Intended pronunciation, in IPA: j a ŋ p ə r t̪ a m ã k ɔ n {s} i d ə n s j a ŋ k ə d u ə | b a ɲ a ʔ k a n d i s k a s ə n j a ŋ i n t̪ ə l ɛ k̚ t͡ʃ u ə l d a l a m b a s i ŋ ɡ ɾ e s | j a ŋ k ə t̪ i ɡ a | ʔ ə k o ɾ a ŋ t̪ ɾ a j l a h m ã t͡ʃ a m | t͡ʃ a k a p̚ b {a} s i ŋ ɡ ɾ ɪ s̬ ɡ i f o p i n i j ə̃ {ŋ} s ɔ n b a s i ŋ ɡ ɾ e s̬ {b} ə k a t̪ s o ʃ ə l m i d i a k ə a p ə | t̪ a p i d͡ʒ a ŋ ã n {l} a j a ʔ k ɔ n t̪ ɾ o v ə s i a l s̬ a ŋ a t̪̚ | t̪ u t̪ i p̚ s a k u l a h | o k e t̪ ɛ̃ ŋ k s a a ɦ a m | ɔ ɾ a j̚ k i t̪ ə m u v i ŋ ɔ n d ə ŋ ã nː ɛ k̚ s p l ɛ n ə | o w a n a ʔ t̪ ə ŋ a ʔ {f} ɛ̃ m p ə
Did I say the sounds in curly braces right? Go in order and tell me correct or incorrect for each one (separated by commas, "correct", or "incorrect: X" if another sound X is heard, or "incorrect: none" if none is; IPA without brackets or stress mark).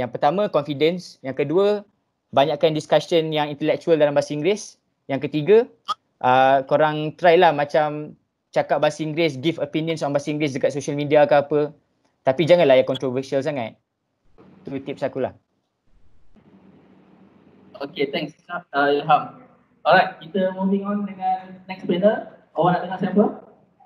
incorrect: f, correct, incorrect: n, incorrect: d, correct, incorrect: s